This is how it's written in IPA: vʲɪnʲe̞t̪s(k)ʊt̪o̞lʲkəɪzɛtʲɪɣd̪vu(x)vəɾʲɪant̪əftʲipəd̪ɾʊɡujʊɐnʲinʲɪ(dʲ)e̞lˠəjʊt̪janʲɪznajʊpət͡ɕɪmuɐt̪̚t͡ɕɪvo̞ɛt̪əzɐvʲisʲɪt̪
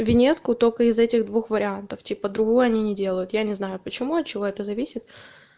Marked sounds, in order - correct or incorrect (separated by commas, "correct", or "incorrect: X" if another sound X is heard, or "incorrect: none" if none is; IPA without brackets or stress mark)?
correct, correct, correct